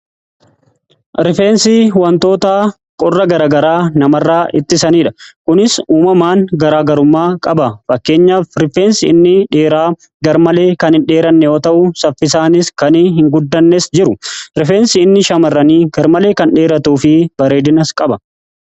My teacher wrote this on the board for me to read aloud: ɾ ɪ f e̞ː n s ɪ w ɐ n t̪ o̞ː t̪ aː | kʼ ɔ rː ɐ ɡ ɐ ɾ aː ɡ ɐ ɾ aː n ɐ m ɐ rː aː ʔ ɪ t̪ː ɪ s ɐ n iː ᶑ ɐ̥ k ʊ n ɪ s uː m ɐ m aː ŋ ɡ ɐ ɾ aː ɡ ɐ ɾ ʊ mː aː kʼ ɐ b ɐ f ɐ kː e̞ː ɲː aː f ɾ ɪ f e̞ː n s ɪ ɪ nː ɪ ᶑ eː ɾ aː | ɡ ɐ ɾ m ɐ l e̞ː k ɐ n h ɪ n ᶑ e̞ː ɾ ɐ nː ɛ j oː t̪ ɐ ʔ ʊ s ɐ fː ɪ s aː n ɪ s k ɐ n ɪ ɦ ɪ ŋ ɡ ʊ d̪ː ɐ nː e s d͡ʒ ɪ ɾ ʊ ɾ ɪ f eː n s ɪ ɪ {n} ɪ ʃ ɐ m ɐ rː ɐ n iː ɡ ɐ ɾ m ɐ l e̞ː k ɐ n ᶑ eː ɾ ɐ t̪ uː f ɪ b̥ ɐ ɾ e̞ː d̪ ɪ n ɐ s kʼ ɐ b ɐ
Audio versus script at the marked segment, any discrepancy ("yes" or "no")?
yes